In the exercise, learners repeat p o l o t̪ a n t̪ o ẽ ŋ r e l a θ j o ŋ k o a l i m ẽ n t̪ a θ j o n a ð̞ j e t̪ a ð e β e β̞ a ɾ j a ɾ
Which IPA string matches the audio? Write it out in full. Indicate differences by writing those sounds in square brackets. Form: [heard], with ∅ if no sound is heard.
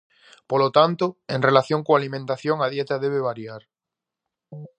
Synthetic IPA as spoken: p o l o t̪ a n t̪ o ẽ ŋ r e l a θ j o ŋ k o a l i m ẽ n t̪ a θ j o [ŋ] a ð̞ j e t̪ a ð e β e β̞ a ɾ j a ɾ